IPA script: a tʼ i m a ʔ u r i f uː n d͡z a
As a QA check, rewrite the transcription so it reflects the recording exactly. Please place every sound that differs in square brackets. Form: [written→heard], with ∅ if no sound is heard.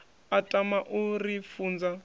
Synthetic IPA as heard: a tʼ [i→a] m a ʔ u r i f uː n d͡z a

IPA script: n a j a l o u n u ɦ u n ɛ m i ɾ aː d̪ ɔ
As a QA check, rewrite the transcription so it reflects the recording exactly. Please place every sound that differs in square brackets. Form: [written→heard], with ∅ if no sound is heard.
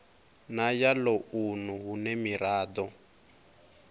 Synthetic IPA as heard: n a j a l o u n u ɦ u n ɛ m i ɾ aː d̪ ɔ

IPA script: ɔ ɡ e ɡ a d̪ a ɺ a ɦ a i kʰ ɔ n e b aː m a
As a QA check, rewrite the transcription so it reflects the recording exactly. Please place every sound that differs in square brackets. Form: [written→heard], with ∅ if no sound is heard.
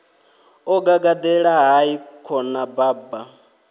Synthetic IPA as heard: ɔ ɡ [e→a] ɡ a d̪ [a→ɛ] ɺ a ɦ a i kʰ ɔ n [e→a] b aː [m→b] a

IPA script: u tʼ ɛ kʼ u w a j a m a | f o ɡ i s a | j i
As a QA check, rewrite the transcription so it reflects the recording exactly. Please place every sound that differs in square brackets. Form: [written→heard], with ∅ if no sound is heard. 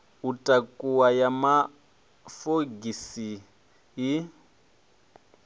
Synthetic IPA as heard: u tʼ [ɛ→a] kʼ u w a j a m a | f o ɡ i s [a→i] | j i

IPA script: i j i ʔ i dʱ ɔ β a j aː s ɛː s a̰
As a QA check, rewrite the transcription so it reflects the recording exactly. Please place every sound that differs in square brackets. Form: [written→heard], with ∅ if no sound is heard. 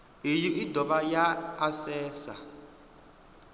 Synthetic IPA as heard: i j i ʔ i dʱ ɔ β a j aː s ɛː s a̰

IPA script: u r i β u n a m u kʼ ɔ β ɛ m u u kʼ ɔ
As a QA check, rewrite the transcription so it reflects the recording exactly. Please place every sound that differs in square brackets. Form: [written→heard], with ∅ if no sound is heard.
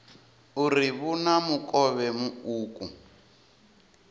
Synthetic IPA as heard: u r i β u n a m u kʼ ɔ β ɛ m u [u→uː] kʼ [ɔ→u]

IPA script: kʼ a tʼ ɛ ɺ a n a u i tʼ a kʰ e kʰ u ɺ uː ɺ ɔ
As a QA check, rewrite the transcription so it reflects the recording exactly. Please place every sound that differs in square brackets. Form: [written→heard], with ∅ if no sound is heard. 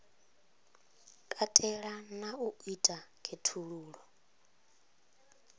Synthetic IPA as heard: kʼ a tʼ ɛ ɺ a n a u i tʼ a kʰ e [kʰ→tʰ] u ɺ uː ɺ ɔ

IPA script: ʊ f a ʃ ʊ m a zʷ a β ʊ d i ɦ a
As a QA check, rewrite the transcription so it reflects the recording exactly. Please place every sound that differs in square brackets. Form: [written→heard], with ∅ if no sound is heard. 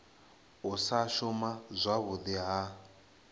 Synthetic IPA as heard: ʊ [f→s] a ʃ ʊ m a zʷ a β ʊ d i ɦ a

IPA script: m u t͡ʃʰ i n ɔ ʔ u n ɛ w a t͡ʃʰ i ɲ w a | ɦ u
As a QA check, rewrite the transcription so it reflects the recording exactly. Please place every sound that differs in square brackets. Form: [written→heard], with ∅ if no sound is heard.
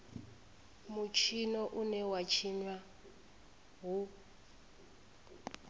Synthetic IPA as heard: m u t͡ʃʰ i n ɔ ʔ u n ɛ w a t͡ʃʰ i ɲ w a | ɦ u

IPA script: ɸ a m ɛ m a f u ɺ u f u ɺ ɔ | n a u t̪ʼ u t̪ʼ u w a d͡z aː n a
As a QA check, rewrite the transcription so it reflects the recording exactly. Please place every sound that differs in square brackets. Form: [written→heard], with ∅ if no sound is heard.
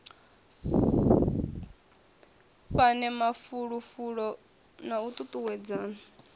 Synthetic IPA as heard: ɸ a [m→n] ɛ m a f u ɺ u f u ɺ ɔ | n a u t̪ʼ u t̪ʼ u w [a→ɛ] d͡z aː n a

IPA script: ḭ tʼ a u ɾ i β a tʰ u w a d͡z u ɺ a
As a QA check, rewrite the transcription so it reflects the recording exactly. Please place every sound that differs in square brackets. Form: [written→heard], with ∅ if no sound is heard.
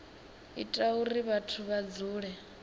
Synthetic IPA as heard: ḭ tʼ a u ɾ i β a tʰ u [w→β] a d͡z [u→uː] ɺ [a→ɛ]

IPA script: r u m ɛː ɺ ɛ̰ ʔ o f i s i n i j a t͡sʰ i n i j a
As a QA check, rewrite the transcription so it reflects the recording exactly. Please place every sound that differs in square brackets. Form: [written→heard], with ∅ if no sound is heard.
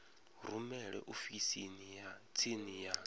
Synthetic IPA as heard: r u m [ɛː→ɛ] ɺ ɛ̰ ʔ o f i s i n i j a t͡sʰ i n i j a

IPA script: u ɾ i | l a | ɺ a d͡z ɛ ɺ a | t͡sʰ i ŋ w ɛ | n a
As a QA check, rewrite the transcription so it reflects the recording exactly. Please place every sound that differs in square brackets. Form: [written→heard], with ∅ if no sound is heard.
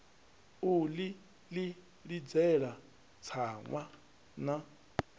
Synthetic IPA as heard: u [ɾ→l] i | l [a→i] | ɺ [a→i] d͡z ɛ ɺ a | t͡sʰ [i→a] ŋ w [ɛ→a] | n a

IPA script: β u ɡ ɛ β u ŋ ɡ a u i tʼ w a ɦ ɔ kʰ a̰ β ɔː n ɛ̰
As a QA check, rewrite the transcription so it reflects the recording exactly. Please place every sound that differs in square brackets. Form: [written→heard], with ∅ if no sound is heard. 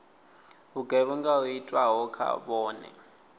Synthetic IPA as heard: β u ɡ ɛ β u ŋ ɡ a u i tʼ w a ɦ ɔ kʰ a̰ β ɔː n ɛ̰

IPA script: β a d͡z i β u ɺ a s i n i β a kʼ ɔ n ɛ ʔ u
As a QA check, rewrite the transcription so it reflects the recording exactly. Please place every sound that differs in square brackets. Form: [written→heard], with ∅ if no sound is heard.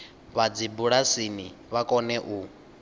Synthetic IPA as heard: β a d͡z i [β→b] u ɺ a s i n i β a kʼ ɔ n ɛ ʔ u

